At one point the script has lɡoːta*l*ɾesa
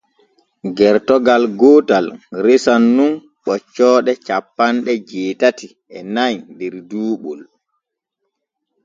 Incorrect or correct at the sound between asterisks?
correct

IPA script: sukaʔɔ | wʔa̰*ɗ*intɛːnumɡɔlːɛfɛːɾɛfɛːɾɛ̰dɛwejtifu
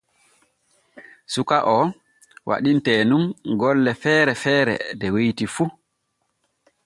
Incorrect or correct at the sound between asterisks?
correct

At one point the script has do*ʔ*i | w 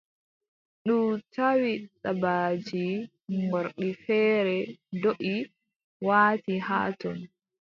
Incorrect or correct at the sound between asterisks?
correct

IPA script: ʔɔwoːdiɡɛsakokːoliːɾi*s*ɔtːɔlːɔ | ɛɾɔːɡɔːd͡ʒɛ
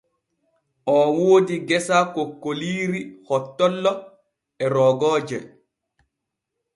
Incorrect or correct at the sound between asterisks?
incorrect: h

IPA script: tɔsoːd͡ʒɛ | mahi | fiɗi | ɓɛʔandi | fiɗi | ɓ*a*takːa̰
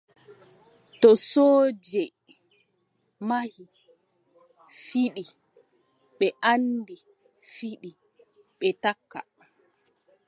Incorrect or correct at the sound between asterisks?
incorrect: ɛ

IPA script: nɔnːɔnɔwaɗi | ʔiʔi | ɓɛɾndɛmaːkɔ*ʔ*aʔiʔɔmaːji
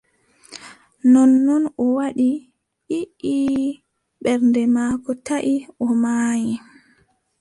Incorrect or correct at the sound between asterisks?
incorrect: t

